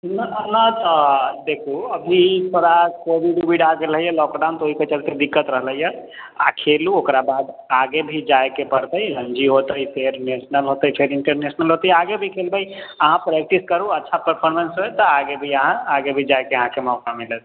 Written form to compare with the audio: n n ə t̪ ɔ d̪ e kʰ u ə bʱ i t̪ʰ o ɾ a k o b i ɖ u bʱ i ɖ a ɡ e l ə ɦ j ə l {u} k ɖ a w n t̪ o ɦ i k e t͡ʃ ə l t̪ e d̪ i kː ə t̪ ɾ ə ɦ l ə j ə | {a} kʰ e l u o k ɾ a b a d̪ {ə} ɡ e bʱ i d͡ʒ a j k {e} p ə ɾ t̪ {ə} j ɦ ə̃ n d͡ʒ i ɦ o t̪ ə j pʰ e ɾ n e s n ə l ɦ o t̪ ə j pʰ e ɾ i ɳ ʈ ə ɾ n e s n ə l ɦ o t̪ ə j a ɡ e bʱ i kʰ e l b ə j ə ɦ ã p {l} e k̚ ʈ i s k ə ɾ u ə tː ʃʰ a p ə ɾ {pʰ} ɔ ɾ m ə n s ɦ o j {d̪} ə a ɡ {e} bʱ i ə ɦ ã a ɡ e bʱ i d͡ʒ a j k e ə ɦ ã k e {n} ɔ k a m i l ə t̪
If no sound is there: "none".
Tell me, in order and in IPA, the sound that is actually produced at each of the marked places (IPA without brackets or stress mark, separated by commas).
ɔ, a, a, e, ə, ɾ, pʰ, t̪, e, m